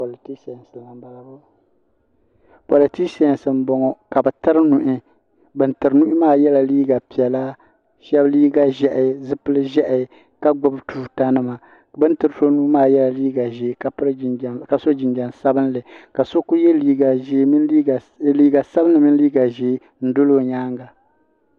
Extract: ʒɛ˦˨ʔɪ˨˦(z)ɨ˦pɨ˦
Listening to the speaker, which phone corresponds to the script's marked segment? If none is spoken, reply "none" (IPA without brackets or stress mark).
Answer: z